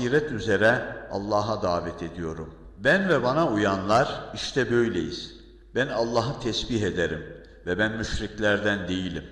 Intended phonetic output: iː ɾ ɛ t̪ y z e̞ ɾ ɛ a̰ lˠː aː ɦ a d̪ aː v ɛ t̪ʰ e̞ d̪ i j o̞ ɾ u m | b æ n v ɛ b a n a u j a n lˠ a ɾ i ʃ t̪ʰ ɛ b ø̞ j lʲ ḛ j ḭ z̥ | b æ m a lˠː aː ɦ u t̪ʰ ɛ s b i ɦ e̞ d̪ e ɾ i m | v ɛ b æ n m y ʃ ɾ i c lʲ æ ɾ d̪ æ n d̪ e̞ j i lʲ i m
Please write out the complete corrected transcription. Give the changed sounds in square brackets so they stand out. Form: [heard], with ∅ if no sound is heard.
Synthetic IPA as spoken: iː ɾ ɛ t̪ y z e̞ ɾ ɛ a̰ lˠː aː ɦ a d̪ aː v ɛ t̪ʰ e̞ d̪ i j o̞ ɾ u m | b æ n v ɛ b a n a u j a n lˠ a ɾ i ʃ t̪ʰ ɛ b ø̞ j lʲ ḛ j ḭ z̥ | b æ [n] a lˠː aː ɦ [ɯ] t̪ʰ ɛ s b i ɦ e̞ d̪ e ɾ i m | v ɛ b æ n m y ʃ ɾ i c lʲ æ ɾ d̪ æ n d̪ e̞ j i lʲ i m